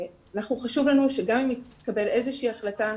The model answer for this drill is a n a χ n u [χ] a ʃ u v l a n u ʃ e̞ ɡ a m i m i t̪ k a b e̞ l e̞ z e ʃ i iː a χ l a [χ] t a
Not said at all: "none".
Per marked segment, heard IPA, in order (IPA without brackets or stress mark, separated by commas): χ, none